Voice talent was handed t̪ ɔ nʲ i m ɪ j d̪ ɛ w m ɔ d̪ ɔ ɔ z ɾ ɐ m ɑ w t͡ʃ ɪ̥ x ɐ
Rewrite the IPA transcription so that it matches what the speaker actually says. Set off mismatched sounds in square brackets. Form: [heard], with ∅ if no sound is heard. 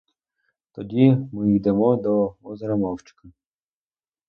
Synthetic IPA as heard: t̪ ɔ [dʲ] i m ɪ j d̪ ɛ [∅] m ɔ d̪ ɔ ɔ z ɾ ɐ m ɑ w t͡ʃ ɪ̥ [k] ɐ